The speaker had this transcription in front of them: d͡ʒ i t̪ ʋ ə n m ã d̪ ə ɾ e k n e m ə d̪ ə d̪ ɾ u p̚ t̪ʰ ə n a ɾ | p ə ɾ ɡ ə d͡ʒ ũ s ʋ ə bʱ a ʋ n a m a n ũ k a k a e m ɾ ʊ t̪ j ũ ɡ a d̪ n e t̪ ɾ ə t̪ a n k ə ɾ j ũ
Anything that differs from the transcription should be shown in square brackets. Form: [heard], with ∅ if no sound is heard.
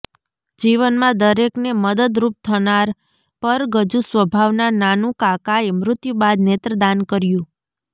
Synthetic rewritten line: d͡ʒ i [∅] ʋ ə n m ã d̪ ə ɾ e k n e m ə d̪ ə d̪ ɾ u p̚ t̪ʰ ə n a ɾ | p ə ɾ ɡ ə d͡ʒ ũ s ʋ ə bʱ a ʋ n a [n] a n ũ k a k a e m ɾ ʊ t̪ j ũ [b] a d̪ n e t̪ ɾ ə [d̪] a n k ə ɾ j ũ